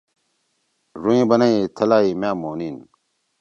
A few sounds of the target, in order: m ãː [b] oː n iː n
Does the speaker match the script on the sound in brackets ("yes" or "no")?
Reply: no